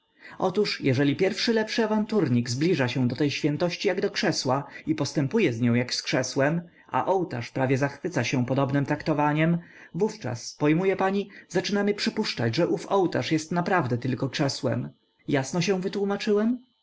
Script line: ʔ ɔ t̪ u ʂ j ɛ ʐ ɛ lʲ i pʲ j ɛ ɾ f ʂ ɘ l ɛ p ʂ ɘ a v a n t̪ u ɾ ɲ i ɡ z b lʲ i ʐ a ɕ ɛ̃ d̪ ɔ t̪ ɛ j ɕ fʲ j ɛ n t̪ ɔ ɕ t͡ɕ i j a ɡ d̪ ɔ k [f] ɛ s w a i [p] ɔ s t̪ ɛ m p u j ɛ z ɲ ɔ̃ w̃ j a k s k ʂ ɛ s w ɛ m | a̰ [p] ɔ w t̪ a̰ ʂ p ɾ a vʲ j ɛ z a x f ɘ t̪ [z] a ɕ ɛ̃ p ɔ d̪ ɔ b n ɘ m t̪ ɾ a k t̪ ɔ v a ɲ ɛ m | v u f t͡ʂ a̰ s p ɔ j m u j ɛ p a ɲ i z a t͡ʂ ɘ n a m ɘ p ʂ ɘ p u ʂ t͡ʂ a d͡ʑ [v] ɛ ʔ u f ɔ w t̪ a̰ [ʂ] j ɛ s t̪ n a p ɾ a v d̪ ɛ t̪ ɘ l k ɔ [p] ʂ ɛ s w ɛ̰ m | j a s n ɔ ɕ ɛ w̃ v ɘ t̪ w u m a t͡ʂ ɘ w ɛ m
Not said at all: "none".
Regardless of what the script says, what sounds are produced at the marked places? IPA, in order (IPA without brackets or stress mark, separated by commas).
ʂ, p, ʔ, s, ʐ, ʂ, k